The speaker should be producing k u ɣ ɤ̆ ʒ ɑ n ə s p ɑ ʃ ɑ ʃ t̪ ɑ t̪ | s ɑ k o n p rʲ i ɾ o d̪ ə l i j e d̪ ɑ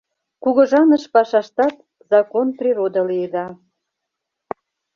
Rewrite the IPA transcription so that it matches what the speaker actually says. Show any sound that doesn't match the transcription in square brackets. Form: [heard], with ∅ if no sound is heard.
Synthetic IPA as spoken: k u ɣ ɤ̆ ʒ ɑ n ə [ʃ] p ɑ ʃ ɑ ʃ t̪ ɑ t̪ | [z] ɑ k o n p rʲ i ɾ o d̪ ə l i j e d̪ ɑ